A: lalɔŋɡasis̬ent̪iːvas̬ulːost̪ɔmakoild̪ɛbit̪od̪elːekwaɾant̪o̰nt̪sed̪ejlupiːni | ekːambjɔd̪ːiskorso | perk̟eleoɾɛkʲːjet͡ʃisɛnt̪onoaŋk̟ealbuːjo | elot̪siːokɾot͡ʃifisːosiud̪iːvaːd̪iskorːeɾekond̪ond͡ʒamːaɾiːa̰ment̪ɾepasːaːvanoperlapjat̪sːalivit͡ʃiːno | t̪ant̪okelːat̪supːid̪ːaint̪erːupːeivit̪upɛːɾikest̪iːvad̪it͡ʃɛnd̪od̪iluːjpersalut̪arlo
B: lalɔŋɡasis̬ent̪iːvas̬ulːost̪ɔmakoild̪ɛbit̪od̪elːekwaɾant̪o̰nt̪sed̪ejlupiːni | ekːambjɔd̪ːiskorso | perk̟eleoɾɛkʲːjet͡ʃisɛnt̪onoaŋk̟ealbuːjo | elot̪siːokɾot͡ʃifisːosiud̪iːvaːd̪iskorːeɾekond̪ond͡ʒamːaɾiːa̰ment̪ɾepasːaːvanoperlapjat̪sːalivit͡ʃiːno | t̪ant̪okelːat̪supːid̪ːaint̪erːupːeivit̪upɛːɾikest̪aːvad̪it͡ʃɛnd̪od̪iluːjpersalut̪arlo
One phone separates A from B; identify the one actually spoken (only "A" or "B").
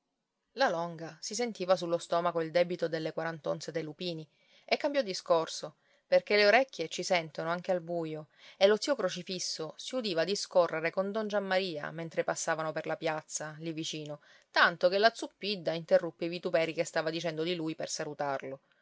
B